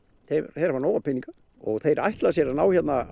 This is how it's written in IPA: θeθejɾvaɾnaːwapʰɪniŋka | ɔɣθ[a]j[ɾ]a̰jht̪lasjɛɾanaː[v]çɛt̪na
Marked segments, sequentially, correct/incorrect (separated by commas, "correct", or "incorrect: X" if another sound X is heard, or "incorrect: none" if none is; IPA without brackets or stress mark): incorrect: e, correct, incorrect: w